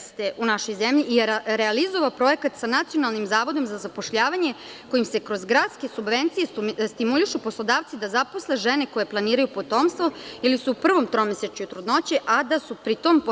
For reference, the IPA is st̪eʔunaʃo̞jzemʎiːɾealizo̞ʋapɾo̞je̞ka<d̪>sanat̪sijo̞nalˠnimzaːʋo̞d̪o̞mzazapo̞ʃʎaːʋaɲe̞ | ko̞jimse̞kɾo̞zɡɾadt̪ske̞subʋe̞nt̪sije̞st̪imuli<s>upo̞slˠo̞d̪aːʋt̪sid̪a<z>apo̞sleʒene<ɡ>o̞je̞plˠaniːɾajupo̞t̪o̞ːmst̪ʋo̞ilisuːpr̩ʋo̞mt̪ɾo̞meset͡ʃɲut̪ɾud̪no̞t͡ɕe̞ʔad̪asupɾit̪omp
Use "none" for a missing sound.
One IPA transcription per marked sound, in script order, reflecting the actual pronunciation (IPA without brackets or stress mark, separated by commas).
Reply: t̪, ʃ, z, k